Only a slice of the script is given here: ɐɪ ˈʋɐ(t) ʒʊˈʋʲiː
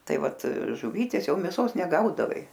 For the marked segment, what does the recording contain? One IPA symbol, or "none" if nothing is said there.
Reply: t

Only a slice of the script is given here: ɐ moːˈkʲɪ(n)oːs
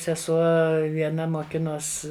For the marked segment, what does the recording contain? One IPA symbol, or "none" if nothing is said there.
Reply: n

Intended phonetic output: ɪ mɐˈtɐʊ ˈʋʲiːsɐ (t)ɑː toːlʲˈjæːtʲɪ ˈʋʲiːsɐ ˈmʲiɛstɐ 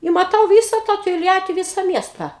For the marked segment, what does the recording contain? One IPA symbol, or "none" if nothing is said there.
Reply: t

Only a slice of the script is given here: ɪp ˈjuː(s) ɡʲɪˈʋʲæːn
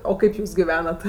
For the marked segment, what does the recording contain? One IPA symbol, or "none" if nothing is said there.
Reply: s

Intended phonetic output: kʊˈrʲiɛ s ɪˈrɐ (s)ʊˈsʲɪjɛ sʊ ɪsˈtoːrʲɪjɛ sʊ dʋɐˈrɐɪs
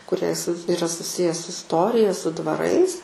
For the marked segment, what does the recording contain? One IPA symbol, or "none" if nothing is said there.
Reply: s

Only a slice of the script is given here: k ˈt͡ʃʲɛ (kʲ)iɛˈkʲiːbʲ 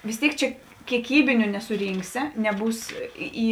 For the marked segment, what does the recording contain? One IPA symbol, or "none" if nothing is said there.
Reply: kʲ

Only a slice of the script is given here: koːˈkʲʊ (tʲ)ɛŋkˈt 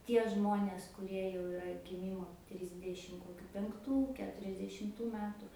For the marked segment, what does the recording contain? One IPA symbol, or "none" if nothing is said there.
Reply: pʲ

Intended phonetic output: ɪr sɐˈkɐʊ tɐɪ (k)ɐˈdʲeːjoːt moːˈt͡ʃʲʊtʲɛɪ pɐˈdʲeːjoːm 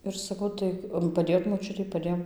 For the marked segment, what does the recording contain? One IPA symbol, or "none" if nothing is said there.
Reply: p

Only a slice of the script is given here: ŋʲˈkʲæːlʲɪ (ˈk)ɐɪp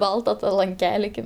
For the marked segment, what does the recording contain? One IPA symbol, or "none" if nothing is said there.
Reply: k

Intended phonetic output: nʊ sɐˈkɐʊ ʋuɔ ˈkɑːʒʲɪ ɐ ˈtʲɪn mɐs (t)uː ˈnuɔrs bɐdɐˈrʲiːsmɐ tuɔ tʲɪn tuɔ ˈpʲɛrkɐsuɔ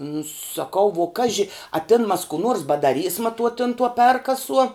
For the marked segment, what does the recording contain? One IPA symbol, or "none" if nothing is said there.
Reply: k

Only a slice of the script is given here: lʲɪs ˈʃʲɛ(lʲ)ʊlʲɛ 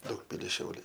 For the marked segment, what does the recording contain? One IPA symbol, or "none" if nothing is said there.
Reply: none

